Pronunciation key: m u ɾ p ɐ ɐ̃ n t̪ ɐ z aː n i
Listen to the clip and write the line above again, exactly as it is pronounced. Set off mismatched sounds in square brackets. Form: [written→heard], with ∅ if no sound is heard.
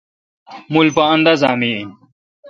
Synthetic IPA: m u [ɾ→l] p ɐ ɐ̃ n [t̪→d̪] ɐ z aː [n→m] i

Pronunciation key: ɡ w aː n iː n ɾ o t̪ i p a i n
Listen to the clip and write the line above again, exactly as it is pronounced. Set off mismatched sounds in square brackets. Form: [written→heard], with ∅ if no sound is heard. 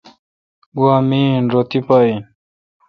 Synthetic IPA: ɡ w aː [n→m] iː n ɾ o t̪ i p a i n

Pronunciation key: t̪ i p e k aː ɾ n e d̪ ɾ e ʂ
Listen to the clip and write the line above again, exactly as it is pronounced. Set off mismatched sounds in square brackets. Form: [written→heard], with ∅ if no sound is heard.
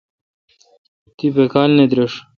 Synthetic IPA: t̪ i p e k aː [ɾ→l] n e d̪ ɾ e ʂ

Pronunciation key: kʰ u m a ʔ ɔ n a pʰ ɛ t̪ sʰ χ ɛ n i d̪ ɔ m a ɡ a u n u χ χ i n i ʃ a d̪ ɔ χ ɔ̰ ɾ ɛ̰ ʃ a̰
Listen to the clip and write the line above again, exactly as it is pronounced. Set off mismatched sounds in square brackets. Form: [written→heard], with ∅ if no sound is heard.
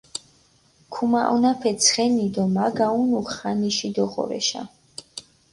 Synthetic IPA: kʰ u m a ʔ ɔ n a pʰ ɛ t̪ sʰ χ ɛ n i d̪ ɔ m a ɡ a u n u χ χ [i→a] n i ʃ [a→i] d̪ ɔ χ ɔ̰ ɾ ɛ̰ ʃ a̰

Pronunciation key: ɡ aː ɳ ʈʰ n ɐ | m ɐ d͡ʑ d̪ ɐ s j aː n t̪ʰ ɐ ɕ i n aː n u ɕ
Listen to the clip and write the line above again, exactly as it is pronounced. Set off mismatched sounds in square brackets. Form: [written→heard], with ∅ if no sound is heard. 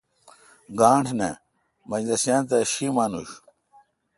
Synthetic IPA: ɡ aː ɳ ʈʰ n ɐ | m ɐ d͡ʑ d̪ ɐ s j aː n [t̪ʰ→t̪] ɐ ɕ i [n→m] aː n u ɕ

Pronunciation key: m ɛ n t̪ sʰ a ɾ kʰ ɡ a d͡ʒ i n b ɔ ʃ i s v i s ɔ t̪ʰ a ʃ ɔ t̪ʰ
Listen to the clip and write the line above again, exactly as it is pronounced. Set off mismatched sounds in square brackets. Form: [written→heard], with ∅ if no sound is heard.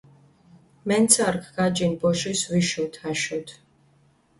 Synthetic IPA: m ɛ n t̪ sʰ a ɾ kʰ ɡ a d͡ʒ i n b ɔ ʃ i s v i [s→ʃ] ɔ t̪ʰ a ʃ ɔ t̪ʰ

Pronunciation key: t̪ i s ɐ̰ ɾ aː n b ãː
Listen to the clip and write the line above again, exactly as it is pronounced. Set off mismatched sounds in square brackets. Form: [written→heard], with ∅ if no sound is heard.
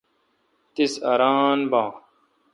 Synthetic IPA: t̪ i s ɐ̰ ɾ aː n b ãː

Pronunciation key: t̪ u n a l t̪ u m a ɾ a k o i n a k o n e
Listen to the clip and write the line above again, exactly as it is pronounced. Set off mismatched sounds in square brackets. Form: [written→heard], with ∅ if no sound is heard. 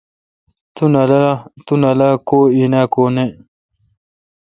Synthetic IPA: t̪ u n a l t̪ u [m→n] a [ɾ→l] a k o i n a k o n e

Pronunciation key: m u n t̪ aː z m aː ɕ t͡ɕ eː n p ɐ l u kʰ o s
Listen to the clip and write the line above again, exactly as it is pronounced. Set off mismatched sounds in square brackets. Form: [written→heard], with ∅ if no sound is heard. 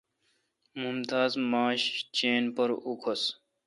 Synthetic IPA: m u [n→m] t̪ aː z m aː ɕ t͡ɕ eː n p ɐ [l→ɾ] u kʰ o s

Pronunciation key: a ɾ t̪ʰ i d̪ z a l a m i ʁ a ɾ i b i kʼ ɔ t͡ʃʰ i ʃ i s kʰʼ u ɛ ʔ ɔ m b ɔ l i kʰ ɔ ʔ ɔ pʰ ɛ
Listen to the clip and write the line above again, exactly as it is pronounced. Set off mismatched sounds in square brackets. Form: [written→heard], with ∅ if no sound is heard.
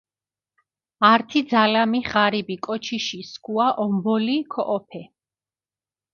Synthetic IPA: a ɾ t̪ʰ i d̪ z a l a m i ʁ a ɾ i b i kʼ ɔ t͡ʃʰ i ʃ i s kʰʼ u [ɛ→a] ʔ ɔ m b ɔ l i kʰ ɔ ʔ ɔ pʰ ɛ

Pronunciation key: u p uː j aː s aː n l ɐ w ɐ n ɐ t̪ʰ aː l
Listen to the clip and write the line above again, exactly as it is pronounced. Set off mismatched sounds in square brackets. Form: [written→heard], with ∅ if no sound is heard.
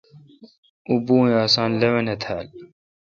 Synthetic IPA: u [p→b] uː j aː s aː n l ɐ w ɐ n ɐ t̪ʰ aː l

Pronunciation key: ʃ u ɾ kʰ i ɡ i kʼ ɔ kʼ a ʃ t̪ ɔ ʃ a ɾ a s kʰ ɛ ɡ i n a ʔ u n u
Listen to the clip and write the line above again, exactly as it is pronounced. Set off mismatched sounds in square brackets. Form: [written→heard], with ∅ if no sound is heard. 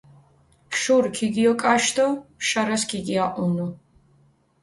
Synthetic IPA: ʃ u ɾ kʰ i ɡ i [kʼ→∅] ɔ kʼ a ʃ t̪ ɔ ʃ a ɾ a s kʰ [ɛ→i] ɡ i [n→∅] a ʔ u n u

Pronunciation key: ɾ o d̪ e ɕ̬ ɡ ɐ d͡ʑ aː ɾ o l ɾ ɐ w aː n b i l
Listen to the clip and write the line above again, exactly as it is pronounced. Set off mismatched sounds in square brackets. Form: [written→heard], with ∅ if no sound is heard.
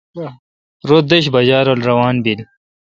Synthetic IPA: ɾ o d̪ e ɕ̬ [ɡ→b] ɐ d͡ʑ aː ɾ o l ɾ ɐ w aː n b i l

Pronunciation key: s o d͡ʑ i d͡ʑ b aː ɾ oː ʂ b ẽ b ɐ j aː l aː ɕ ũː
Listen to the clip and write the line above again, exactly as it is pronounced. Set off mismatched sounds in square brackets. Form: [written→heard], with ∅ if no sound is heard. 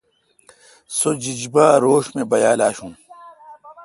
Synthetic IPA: s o d͡ʑ i d͡ʑ b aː ɾ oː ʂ [b→m] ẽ b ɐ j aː l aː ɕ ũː

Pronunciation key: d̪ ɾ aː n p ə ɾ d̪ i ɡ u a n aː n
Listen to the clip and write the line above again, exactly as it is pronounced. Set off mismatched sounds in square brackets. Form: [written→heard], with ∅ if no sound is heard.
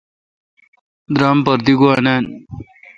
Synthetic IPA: d̪ ɾ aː [n→m] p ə ɾ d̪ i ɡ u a n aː n

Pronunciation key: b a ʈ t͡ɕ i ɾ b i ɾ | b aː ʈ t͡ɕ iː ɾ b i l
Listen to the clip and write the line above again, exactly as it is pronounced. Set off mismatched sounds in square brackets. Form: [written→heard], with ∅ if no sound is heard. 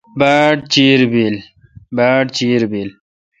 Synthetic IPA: b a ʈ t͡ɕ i ɾ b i [ɾ→l] | b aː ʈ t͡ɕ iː ɾ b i l

